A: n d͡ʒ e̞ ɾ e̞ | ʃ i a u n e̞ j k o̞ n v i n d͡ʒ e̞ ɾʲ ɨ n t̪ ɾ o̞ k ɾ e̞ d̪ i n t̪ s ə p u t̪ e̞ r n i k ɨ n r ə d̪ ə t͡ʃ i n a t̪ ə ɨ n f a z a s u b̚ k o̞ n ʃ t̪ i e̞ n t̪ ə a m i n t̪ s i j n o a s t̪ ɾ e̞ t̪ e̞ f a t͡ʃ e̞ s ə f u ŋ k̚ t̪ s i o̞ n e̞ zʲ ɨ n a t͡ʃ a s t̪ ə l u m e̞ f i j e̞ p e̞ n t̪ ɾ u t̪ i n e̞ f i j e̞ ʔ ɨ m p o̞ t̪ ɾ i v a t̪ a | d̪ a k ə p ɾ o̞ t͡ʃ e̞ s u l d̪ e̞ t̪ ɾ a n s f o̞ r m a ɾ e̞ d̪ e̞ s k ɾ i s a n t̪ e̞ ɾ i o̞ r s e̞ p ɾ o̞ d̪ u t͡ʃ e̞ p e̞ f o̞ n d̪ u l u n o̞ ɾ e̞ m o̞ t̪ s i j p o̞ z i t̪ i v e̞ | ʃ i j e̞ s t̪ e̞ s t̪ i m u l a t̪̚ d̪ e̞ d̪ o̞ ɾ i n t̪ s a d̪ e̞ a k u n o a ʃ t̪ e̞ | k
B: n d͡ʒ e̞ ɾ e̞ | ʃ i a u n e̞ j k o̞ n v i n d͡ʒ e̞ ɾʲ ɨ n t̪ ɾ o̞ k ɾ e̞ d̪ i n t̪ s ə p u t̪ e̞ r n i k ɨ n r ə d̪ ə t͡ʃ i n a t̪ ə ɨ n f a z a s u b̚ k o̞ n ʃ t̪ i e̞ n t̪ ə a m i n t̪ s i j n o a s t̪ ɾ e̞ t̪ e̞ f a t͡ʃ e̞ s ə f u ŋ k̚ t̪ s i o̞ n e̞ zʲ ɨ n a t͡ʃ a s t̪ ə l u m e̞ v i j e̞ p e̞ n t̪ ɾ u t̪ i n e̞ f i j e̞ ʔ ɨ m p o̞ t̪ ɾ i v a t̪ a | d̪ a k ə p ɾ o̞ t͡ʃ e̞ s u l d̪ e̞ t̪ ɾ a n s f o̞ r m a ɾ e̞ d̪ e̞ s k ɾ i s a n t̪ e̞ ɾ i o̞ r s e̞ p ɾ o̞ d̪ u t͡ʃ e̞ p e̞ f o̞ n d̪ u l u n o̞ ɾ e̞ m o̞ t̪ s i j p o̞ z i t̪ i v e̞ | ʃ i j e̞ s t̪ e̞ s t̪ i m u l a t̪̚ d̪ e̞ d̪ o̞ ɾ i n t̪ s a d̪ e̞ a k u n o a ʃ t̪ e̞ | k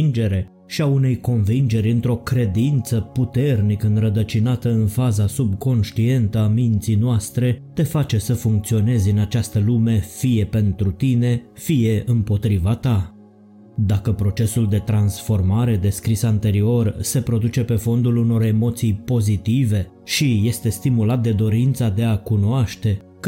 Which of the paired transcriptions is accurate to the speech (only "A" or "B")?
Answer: A